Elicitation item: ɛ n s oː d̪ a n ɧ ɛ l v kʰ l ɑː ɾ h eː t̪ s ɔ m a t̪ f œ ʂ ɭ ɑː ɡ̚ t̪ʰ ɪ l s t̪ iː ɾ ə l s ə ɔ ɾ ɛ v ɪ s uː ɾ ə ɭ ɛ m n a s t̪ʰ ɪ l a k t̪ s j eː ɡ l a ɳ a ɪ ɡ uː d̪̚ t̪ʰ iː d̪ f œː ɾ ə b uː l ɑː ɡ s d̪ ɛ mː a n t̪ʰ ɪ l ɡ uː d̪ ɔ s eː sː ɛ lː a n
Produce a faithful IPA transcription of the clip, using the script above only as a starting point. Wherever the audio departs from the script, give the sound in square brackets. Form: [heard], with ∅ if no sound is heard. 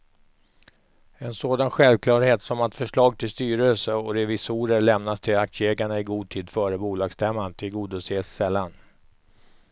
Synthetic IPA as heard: ɛ n s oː d̪ a n ɧ ɛ l v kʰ l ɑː ɾ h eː t̪ s ɔ m a t̪ f œ ʂ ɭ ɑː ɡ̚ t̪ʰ ɪ l s t̪ [yː] ɾ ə l s ə ɔ ɾ ɛ v ɪ s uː ɾ ə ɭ ɛ m n a s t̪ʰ ɪ l a k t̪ s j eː ɡ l a ɳ a ɪ ɡ uː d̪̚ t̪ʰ iː d̪ f œː ɾ ə b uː l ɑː ɡ s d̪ ɛ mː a n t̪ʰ ɪ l ɡ uː d̪ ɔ s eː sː ɛ lː a n